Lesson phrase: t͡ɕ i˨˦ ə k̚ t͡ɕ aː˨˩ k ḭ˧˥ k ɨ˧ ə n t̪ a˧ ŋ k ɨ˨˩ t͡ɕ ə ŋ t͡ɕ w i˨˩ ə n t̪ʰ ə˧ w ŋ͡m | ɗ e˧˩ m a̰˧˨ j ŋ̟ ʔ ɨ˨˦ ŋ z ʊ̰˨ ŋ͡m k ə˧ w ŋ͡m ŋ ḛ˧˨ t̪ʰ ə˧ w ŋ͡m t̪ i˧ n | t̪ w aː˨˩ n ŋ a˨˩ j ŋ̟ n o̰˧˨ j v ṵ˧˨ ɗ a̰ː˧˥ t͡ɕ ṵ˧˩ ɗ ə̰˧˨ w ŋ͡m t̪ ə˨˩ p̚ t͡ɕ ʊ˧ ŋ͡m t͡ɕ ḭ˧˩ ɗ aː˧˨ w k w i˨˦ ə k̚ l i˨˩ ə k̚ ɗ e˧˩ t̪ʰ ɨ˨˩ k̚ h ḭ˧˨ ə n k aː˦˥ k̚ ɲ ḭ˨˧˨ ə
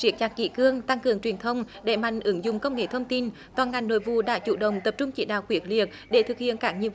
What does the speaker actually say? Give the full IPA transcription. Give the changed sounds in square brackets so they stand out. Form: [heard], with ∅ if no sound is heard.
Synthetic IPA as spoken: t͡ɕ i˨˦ ə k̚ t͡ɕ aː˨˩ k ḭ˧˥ k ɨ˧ ə [ŋ] t̪ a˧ ŋ k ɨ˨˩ [∅] ə ŋ t͡ɕ w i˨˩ ə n t̪ʰ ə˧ w ŋ͡m | ɗ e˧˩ m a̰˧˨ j ŋ̟ ʔ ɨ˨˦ ŋ z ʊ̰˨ ŋ͡m k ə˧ w ŋ͡m ŋ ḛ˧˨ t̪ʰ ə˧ w ŋ͡m t̪ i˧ n | t̪ w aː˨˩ n ŋ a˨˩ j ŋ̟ n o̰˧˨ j v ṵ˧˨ ɗ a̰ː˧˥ t͡ɕ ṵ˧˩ ɗ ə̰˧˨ w ŋ͡m t̪ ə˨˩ p̚ t͡ɕ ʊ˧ ŋ͡m t͡ɕ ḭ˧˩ ɗ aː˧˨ w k w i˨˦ ə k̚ l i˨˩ ə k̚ ɗ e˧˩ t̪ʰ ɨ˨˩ k̚ h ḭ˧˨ ə n k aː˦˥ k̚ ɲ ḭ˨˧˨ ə

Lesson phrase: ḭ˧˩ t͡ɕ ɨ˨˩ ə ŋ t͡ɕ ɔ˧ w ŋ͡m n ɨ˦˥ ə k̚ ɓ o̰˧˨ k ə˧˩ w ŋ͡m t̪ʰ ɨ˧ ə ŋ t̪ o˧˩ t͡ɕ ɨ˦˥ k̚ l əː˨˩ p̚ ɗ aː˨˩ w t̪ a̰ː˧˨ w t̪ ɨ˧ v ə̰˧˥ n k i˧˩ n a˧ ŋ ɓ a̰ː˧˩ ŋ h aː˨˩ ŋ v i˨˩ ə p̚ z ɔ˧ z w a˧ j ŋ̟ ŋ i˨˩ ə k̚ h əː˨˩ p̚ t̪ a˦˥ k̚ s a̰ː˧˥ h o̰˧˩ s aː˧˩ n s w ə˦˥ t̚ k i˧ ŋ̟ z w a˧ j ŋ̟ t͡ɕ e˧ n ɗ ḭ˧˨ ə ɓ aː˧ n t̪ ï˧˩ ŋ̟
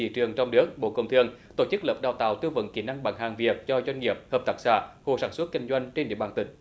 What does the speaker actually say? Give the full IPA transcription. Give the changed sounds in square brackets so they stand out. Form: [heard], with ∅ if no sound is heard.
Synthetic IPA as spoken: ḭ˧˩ t͡ɕ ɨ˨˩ ə ŋ t͡ɕ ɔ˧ w ŋ͡m n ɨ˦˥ ə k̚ ɓ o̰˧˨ k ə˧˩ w ŋ͡m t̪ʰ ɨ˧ ə ŋ t̪ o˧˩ t͡ɕ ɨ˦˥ k̚ l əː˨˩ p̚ ɗ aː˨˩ w t̪ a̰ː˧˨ w t̪ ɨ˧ v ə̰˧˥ n k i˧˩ n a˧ ŋ ɓ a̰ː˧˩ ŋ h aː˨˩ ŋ v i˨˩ ə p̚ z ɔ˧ z w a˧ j ŋ̟ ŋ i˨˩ ə [p̚] h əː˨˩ p̚ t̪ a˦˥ k̚ s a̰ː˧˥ h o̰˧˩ s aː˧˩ n s w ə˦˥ t̚ k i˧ ŋ̟ z w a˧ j ŋ̟ t͡ɕ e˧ n ɗ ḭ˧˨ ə ɓ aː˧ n t̪ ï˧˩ ŋ̟

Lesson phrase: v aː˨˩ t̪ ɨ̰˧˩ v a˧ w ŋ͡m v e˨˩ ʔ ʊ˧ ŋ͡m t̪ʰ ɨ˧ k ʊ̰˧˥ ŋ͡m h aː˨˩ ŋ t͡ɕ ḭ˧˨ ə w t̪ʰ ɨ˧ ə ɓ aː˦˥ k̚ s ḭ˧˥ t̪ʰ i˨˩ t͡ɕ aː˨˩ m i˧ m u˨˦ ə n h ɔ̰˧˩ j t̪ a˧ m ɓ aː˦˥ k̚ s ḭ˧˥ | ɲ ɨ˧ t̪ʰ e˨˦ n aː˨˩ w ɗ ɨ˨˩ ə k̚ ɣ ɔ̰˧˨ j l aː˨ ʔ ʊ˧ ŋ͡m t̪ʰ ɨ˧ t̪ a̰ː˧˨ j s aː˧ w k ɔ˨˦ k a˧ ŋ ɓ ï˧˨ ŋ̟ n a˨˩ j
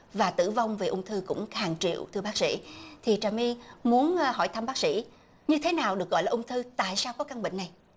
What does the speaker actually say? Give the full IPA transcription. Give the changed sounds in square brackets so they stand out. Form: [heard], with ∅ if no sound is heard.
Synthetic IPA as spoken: v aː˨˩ t̪ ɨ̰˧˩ v a˧ w ŋ͡m v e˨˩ ʔ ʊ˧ ŋ͡m t̪ʰ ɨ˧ k ʊ̰˧˥ ŋ͡m h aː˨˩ ŋ t͡ɕ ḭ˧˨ ə w t̪ʰ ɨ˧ ə ɓ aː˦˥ k̚ s ḭ˧˥ t̪ʰ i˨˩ t͡ɕ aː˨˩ m i˧ m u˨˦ ə n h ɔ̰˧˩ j [t̪ʰ] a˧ m ɓ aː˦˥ k̚ s ḭ˧˥ | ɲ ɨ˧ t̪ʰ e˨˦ n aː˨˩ w ɗ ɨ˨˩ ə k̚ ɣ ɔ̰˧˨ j l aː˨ ʔ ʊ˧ ŋ͡m t̪ʰ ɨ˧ t̪ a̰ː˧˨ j s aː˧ w k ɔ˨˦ k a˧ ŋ ɓ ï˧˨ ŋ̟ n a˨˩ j

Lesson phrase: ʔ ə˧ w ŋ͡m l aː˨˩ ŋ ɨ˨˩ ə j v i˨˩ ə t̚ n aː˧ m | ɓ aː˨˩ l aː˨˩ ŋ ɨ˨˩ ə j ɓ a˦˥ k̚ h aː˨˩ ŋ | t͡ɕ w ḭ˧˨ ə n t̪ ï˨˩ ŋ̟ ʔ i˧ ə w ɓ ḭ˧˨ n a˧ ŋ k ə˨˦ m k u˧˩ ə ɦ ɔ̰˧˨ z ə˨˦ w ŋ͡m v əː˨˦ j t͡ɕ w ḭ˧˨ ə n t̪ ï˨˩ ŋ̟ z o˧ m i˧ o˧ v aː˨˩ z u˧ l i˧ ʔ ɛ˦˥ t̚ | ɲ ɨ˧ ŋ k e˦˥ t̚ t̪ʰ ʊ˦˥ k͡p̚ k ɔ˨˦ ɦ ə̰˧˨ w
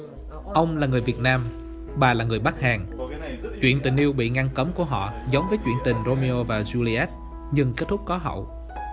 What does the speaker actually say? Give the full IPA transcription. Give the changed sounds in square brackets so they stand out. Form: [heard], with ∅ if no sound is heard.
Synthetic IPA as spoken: ʔ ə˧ w ŋ͡m l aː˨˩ ŋ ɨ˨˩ ə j v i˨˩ ə t̚ n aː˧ m | ɓ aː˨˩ l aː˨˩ ŋ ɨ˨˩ ə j ɓ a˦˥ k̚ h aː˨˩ ŋ | t͡ɕ w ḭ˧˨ ə n t̪ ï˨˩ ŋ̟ ʔ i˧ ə w ɓ ḭ˧˨ [ŋ] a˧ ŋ k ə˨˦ m k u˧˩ ə ɦ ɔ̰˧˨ z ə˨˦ w ŋ͡m v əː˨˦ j t͡ɕ w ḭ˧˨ ə n t̪ ï˨˩ ŋ̟ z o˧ m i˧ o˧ v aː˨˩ z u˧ l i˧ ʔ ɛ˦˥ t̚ | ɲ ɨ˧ ŋ k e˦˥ t̚ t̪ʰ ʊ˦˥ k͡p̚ k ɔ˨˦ ɦ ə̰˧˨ w

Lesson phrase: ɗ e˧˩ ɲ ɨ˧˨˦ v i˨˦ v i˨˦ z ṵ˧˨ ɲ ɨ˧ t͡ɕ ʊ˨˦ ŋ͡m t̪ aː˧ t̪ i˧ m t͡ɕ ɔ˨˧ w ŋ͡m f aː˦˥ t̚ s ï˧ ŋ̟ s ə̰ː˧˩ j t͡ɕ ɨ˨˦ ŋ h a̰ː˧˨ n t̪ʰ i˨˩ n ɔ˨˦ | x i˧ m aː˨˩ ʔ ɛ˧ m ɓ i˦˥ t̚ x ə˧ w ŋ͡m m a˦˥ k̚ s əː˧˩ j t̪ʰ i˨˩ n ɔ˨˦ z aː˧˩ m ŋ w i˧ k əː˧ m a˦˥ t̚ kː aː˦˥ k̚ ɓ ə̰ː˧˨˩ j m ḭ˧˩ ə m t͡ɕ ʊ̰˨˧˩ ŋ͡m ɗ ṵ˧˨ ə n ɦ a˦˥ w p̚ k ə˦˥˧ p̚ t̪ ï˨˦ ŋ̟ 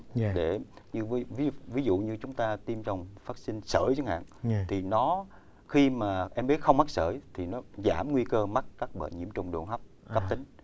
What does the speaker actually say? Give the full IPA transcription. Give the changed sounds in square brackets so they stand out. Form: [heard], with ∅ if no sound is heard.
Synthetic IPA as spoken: ɗ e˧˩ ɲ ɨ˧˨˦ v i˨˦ v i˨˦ z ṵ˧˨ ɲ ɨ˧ t͡ɕ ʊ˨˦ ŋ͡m t̪ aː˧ t̪ i˧ m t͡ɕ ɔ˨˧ w ŋ͡m f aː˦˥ t̚ s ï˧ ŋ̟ s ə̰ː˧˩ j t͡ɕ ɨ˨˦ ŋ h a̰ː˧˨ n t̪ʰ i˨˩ n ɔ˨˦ | x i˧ m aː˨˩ ʔ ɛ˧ m ɓ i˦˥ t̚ x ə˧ w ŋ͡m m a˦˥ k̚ s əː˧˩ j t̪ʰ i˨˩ n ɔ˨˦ z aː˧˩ m ŋ w i˧ k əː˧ m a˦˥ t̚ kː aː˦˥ k̚ ɓ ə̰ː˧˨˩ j [ɲ] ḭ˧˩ ə m t͡ɕ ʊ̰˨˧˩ ŋ͡m ɗ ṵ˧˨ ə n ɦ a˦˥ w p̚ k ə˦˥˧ p̚ t̪ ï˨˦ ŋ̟

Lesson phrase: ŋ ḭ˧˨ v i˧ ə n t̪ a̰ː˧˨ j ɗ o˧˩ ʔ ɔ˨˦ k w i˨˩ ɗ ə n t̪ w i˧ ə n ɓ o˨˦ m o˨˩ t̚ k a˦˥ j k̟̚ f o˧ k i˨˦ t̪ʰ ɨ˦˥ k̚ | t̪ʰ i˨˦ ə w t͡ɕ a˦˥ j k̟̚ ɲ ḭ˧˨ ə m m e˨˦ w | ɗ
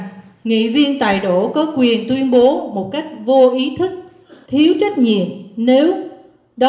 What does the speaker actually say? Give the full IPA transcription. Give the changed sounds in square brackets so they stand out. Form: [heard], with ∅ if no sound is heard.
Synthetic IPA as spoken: ŋ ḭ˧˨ v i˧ ə n t̪ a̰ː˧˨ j ɗ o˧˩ [k] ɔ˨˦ k w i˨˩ [∅] ə n t̪ w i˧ ə n ɓ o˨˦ m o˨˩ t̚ k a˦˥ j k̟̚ [v] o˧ [ʔ] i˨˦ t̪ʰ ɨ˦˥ k̚ | t̪ʰ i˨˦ ə w t͡ɕ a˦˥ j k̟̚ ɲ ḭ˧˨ ə m [n] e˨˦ w | ɗ

